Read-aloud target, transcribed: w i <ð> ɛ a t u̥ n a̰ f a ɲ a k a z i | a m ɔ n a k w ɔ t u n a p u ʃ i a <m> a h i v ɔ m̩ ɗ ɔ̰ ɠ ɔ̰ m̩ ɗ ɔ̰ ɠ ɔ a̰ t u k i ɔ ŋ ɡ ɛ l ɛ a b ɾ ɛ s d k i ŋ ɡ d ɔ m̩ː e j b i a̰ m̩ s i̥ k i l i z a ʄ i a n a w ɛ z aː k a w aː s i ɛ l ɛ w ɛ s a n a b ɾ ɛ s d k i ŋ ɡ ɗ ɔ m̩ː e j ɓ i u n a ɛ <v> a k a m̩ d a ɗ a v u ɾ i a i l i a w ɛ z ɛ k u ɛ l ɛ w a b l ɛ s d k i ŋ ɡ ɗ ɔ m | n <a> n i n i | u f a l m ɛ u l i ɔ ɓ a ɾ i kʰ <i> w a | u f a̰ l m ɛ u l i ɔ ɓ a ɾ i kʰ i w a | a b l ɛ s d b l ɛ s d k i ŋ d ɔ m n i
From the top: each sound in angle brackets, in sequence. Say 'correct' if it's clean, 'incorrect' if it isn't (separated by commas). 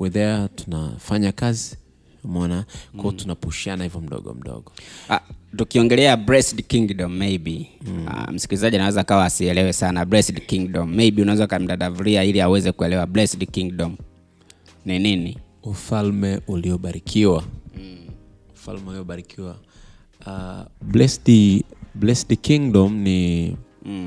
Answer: correct, incorrect, incorrect, incorrect, correct